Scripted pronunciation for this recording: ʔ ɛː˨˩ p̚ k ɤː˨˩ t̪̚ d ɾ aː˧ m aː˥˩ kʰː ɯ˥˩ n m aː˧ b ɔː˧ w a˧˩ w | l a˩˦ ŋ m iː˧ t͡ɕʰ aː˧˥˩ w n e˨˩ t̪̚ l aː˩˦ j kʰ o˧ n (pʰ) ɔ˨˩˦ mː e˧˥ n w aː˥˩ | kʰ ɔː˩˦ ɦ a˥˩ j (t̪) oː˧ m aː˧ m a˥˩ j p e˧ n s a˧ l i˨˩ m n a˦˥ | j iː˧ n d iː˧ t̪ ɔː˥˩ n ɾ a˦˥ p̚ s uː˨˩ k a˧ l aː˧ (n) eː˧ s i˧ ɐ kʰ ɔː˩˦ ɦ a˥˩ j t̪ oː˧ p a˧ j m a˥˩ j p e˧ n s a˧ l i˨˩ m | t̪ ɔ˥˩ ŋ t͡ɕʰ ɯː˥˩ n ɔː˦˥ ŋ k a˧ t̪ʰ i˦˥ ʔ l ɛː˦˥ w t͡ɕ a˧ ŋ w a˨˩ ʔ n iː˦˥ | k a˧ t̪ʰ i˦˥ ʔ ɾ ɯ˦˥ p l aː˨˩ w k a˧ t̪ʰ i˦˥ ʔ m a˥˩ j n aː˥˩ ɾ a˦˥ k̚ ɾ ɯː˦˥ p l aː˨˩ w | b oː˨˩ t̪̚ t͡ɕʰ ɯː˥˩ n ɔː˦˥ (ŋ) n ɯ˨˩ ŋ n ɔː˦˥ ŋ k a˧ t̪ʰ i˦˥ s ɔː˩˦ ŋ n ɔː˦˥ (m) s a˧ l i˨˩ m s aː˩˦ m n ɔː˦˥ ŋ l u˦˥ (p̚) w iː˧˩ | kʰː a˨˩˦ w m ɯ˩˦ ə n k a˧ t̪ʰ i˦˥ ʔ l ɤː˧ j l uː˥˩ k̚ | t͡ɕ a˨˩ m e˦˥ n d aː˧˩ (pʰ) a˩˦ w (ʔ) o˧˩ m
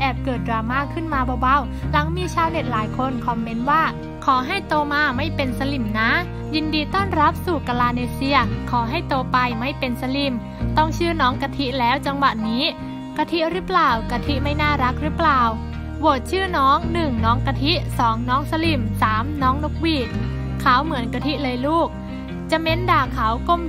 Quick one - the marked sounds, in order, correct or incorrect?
incorrect, correct, correct, correct, incorrect, incorrect, incorrect, incorrect

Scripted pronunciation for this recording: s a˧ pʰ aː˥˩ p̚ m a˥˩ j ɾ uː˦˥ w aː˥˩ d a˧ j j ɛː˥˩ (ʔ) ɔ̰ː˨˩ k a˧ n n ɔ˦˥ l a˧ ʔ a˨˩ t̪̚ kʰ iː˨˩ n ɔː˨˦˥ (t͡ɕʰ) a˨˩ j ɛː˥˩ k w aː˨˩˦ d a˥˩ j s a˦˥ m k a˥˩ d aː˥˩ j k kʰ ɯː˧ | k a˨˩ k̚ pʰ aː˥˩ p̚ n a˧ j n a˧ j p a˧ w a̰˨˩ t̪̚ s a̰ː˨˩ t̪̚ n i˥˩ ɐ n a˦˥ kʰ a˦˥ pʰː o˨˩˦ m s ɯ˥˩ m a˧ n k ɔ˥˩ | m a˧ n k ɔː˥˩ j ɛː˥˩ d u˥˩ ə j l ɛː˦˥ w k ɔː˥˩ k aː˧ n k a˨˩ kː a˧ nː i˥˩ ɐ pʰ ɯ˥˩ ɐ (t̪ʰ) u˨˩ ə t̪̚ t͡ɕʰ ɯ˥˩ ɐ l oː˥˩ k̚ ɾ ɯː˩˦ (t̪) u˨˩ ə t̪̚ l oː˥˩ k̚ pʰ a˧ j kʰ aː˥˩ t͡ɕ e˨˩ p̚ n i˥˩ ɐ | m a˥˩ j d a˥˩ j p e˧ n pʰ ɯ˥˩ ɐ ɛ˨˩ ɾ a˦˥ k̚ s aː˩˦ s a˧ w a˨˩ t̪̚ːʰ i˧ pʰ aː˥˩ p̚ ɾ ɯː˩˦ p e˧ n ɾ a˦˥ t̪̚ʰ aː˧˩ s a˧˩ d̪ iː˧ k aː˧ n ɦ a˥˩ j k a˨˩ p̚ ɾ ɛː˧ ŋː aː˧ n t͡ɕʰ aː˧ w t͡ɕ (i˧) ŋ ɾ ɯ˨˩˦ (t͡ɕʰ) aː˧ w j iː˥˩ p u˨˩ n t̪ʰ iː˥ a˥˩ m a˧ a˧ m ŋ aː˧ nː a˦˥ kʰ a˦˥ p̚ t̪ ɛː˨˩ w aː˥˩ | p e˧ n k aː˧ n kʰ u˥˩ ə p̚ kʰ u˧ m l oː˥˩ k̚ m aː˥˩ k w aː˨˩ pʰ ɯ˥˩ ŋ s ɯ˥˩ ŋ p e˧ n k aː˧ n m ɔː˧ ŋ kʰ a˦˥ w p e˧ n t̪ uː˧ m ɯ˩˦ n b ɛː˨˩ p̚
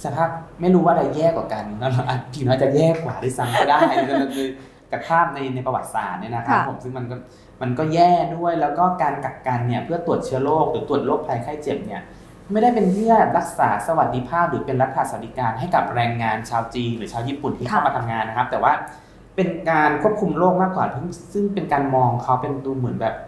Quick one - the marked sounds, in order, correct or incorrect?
incorrect, incorrect, incorrect, correct, incorrect, correct

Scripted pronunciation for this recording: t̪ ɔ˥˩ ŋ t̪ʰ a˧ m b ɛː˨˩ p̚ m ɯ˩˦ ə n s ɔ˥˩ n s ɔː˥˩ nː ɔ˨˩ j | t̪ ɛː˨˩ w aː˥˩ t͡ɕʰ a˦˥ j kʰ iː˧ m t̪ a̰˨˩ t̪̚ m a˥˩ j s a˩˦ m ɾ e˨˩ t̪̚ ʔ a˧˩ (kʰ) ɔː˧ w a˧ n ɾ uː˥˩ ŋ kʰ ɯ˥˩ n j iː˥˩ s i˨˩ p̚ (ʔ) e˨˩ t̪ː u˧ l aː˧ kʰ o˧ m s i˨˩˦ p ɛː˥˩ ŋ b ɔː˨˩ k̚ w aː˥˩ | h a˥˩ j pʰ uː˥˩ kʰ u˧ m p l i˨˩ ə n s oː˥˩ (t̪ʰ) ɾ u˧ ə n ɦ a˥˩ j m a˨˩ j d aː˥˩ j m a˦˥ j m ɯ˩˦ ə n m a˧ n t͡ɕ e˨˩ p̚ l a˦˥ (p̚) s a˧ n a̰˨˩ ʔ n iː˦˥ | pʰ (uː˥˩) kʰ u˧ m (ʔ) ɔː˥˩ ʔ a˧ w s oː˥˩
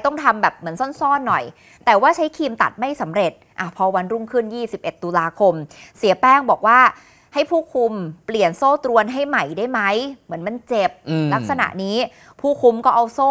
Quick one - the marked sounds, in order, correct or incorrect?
incorrect, correct, incorrect, incorrect, correct, incorrect

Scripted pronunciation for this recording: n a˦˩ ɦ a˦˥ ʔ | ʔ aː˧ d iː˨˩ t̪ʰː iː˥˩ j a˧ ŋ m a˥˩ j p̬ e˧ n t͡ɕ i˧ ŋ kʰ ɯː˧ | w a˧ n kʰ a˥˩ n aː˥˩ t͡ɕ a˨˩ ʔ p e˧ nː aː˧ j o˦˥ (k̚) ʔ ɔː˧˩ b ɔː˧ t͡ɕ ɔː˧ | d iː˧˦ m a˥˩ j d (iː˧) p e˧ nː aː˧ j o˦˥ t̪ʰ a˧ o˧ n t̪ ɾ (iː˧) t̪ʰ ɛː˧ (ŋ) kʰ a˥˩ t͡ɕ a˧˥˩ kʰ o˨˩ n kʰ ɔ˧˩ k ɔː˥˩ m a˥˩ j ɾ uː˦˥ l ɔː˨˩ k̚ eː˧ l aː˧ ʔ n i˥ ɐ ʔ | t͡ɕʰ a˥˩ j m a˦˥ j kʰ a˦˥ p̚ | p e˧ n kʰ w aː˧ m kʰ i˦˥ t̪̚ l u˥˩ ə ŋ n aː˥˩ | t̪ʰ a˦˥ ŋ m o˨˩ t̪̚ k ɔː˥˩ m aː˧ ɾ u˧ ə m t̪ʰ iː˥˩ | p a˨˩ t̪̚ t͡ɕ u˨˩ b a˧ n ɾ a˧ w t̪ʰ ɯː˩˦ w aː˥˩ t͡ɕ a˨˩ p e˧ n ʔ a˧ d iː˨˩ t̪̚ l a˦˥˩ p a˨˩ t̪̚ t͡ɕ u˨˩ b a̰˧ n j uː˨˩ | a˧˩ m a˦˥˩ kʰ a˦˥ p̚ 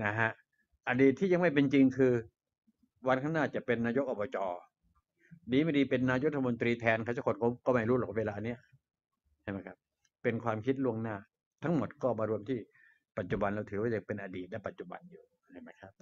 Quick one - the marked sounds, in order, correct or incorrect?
correct, correct, correct, incorrect

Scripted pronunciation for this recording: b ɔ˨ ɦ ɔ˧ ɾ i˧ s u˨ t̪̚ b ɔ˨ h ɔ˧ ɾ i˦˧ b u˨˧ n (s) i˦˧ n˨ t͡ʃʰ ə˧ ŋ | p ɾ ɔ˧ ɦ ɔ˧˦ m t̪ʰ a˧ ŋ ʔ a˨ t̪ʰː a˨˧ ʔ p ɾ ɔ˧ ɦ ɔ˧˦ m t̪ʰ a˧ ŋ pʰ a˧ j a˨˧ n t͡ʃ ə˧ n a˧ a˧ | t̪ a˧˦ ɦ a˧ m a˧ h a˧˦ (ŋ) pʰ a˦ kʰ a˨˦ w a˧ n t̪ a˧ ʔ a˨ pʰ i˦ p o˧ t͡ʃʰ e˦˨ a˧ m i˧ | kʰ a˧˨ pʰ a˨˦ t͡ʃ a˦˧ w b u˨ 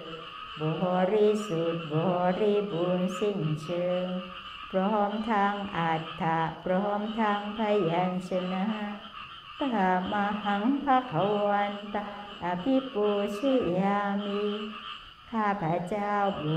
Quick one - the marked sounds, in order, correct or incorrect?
correct, correct

